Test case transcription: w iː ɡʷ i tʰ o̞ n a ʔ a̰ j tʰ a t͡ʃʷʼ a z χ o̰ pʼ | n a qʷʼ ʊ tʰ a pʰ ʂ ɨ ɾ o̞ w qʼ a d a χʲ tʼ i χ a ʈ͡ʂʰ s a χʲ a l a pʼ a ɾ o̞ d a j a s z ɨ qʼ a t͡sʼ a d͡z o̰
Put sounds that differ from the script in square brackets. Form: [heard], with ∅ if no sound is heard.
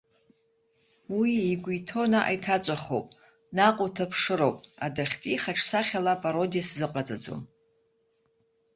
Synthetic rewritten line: w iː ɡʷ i tʰ o̞ n a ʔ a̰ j tʰ a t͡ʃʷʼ a [∅] χ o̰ pʼ | n a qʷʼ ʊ tʰ a pʰ ʂ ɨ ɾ o̞ w [pʼ] a d a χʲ tʼ i χ a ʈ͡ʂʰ s a χʲ a l a pʼ a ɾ o̞ d [i] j a s z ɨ qʼ a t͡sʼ a d͡z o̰